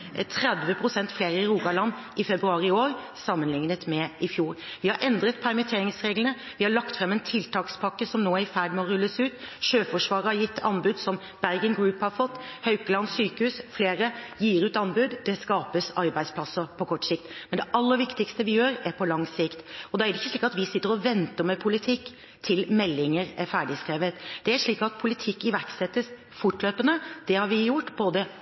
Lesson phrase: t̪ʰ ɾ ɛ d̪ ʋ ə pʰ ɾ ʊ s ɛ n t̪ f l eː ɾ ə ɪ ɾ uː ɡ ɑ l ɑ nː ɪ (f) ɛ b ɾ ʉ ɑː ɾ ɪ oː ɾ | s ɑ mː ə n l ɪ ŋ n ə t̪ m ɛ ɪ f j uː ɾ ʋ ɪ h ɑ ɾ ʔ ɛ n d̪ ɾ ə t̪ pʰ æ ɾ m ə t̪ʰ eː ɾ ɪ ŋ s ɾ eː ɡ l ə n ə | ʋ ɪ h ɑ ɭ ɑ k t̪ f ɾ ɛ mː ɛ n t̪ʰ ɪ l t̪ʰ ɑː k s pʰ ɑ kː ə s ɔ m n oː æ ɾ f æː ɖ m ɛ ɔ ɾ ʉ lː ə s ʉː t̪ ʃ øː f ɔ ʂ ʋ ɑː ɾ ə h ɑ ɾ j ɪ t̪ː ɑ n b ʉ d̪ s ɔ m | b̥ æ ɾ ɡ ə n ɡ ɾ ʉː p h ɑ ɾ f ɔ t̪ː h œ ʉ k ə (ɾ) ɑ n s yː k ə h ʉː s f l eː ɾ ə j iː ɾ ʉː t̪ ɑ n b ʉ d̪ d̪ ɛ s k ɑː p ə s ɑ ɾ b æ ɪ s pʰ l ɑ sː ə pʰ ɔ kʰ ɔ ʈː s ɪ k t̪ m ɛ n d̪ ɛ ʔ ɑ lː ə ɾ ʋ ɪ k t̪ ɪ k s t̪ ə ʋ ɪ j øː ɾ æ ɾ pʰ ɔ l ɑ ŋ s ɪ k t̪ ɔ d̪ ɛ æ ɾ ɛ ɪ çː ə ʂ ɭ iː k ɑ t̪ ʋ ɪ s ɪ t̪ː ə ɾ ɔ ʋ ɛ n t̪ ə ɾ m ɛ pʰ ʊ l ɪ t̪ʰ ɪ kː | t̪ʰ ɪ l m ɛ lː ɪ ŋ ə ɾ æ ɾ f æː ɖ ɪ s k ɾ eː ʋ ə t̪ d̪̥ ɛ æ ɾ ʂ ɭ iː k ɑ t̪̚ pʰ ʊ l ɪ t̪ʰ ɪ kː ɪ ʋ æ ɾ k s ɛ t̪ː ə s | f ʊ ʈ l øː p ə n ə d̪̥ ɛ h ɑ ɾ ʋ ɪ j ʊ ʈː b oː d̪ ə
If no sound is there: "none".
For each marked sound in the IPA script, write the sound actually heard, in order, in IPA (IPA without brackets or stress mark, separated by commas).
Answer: f, l